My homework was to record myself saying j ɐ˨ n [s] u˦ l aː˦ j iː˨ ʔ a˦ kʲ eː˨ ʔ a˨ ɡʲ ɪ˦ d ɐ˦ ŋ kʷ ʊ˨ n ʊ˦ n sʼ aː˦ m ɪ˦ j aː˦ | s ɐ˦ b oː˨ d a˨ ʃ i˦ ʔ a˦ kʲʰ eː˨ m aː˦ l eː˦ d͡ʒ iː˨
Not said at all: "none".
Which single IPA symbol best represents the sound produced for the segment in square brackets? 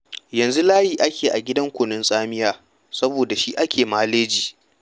z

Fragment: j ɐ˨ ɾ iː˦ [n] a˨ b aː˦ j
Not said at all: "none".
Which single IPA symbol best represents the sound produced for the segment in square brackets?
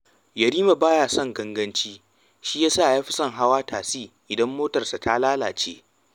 m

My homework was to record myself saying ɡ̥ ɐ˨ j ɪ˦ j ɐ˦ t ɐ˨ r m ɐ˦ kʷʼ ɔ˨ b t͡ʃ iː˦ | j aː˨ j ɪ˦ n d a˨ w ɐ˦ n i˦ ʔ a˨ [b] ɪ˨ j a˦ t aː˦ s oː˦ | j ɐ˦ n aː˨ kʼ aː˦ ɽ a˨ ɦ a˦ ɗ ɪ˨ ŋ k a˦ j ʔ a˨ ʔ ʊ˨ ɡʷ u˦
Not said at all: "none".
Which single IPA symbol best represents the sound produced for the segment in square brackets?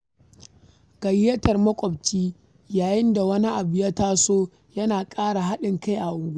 b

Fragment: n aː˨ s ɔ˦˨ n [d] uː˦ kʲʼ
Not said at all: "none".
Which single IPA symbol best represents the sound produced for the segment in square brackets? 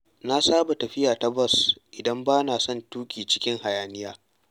t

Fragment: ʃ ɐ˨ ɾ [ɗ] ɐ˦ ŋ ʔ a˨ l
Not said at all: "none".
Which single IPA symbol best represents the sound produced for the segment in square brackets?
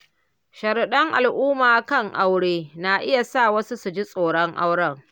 ɗ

